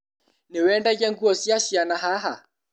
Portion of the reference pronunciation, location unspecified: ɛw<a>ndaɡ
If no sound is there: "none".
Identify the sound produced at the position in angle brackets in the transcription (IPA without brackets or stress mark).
ɛ